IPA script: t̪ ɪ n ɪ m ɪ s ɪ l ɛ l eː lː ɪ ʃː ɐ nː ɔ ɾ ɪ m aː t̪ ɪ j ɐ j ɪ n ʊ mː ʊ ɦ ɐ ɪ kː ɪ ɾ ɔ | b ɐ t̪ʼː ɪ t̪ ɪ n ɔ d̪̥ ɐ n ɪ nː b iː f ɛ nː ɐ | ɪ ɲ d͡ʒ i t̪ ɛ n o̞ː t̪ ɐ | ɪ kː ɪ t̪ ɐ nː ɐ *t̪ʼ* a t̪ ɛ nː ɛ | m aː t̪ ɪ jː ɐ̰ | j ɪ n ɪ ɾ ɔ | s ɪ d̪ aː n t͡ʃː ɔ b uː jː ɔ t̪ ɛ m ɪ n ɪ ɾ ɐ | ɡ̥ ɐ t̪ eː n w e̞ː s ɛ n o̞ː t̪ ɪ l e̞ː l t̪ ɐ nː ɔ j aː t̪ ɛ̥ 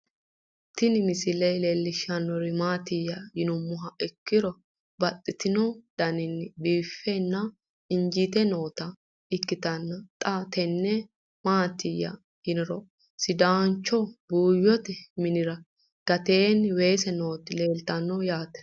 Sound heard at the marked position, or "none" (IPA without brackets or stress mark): t̪ʼ